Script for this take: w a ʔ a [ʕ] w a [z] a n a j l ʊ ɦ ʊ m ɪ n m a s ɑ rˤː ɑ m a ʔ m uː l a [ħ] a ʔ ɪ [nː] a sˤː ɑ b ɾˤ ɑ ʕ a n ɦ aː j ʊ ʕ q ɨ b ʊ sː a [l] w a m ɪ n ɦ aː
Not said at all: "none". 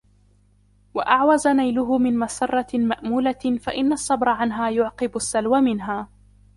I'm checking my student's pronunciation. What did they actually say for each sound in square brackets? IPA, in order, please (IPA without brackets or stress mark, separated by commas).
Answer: ʕ, z, f, nː, l